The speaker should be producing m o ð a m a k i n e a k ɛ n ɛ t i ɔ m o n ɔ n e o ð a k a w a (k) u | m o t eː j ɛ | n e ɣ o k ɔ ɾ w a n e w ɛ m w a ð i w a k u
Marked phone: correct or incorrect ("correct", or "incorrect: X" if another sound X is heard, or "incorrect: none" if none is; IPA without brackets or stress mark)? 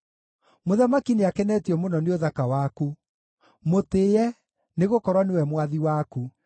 correct